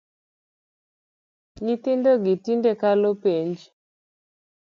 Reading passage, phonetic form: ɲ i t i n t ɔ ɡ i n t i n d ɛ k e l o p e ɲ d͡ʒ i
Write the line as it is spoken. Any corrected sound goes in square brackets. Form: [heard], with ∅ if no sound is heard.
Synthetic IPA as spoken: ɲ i t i n [d] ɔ ɡ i [∅] t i n d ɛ k [a] l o p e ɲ d͡ʒ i